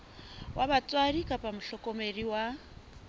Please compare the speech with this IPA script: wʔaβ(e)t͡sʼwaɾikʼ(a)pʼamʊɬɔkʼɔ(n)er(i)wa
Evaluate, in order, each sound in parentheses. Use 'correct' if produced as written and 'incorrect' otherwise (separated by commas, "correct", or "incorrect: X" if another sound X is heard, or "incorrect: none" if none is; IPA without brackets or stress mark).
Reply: incorrect: a, correct, incorrect: m, correct